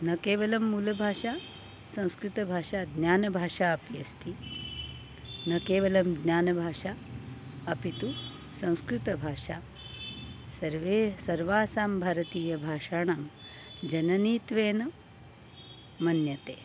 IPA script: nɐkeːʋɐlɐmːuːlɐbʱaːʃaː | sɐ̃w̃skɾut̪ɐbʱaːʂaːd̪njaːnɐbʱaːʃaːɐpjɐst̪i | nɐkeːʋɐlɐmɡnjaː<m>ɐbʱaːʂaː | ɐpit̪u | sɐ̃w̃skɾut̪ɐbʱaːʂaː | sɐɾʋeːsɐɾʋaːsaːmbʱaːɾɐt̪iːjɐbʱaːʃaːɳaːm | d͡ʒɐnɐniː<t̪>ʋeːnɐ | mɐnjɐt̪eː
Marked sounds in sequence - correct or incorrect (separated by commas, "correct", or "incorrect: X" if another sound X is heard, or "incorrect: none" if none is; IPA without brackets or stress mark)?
incorrect: n, correct